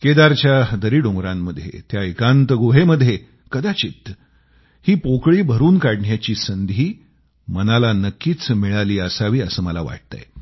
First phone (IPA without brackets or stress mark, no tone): k